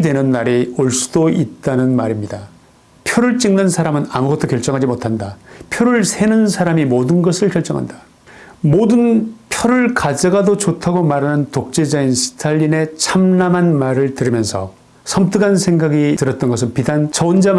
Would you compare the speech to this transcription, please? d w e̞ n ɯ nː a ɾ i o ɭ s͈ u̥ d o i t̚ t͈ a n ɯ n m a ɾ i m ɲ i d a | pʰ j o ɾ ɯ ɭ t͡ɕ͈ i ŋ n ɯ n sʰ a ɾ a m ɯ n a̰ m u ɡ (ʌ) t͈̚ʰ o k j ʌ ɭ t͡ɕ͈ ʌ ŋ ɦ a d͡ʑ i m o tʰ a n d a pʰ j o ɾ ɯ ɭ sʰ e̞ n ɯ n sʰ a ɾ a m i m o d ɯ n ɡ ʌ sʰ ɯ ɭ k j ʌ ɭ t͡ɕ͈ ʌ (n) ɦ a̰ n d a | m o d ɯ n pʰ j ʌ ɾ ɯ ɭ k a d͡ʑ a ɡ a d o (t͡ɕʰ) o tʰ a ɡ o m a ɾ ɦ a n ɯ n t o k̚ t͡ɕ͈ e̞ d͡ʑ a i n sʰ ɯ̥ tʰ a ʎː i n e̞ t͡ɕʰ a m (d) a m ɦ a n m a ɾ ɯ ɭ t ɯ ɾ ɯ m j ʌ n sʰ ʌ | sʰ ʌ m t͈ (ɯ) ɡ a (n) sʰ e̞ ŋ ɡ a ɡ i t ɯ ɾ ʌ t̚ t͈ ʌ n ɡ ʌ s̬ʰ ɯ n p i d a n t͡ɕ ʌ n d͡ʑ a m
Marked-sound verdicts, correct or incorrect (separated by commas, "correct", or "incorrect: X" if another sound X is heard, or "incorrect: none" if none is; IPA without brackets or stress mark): correct, incorrect: ŋ, incorrect: t͡ɕ, incorrect: n, correct, correct